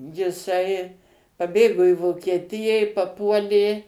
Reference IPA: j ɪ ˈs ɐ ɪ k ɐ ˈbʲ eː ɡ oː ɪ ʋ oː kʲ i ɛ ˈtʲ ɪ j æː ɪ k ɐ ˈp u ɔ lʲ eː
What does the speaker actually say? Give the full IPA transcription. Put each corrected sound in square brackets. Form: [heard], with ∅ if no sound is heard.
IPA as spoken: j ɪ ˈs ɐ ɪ [p] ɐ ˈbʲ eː ɡ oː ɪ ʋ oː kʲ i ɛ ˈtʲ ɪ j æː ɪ [p] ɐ ˈp u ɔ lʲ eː